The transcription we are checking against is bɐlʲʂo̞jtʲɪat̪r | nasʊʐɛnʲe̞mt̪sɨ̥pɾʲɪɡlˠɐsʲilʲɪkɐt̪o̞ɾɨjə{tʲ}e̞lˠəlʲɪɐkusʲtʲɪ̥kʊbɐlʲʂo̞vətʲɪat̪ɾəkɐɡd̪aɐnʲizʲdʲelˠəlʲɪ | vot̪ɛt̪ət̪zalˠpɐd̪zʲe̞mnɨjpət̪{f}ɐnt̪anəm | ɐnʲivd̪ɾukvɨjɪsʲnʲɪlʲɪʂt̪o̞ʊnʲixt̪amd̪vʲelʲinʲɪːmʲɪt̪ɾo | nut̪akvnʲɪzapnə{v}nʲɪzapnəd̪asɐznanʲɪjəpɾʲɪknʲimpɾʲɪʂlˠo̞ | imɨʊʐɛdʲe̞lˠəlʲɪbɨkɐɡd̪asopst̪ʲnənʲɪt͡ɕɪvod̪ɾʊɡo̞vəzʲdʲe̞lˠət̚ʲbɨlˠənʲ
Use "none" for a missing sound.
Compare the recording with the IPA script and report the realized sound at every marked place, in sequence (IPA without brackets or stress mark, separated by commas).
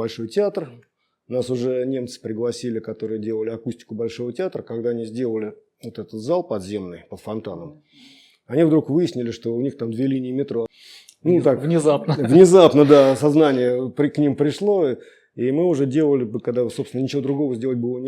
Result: dʲ, f, v